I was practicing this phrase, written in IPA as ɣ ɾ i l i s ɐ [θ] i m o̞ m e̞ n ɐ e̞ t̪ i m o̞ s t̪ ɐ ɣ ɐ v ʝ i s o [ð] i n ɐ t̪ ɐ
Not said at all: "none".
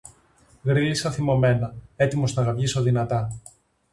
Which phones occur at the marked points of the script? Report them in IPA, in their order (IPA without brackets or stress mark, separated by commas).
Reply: θ, ð